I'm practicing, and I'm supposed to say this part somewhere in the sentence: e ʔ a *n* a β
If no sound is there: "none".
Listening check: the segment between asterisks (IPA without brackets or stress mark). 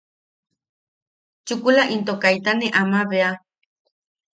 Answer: m